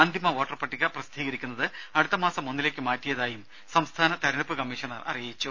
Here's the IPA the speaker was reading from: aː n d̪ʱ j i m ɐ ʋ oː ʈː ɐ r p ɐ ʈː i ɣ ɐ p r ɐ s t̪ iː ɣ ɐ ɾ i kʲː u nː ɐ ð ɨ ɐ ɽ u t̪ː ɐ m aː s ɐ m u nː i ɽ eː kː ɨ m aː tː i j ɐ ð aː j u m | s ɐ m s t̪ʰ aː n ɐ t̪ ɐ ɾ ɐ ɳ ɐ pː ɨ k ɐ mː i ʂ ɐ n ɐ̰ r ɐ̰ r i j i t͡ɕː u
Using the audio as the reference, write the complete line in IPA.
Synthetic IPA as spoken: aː n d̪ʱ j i m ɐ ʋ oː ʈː ɐ r p ɐ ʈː i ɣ ɐ p r ɐ s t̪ iː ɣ ɐ ɾ i kʲː u nː ɐ ð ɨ ɐ ɽ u t̪ː ɐ m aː s ɐ m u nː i l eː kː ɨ m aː tː i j ɐ ð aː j u m | s ɐ m s t̪ʰ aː n ɐ t̪ ɐ ɾ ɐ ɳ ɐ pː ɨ k ɐ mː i ʂ ɐ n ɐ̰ r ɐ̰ r i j i t͡ɕː u